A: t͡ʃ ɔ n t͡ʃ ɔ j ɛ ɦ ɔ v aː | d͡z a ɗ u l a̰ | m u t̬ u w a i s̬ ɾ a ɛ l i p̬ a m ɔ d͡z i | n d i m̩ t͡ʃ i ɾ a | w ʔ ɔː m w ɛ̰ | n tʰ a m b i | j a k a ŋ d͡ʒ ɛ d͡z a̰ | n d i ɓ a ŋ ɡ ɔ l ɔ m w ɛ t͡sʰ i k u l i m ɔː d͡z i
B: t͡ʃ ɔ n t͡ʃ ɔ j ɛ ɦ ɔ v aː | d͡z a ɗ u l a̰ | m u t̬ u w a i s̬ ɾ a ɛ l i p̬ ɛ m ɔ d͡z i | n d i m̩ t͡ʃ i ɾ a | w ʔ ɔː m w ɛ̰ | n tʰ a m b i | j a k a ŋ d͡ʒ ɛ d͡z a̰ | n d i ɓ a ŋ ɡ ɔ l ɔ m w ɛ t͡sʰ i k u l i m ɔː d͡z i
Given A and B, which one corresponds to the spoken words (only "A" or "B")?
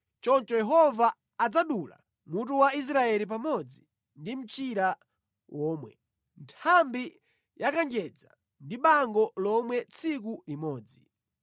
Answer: A